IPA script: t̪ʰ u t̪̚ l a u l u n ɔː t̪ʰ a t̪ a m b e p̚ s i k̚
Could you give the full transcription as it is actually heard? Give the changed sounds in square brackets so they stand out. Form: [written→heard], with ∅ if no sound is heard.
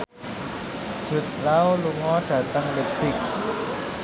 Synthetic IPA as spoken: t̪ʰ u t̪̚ l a [u→w] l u [n→ŋ] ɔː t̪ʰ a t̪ a [m→ŋ] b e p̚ s i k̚